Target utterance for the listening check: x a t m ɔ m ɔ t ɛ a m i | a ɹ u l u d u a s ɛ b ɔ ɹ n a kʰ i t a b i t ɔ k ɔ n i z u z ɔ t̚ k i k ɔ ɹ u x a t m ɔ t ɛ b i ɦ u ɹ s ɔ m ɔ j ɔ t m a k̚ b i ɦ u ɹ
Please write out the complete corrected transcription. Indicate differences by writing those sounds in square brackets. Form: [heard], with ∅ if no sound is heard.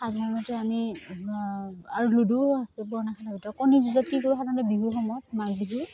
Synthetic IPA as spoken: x a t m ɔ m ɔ t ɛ a m i | a ɹ u l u d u a s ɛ b ɔ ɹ n a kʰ [a] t a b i t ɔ k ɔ n i z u z ɔ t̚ k i k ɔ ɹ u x a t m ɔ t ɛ b i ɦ u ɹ [x] ɔ m ɔ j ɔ t m a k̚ b i ɦ u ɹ